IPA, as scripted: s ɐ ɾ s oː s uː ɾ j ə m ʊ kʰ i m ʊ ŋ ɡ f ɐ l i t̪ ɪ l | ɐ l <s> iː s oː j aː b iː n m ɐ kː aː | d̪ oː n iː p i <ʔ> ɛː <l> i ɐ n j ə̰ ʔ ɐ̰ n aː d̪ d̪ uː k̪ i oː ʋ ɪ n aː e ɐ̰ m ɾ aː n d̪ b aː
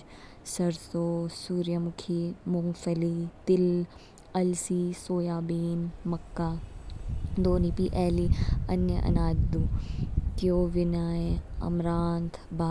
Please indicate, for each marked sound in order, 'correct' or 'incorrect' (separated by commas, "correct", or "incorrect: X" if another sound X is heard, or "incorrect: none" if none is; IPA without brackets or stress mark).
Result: correct, correct, correct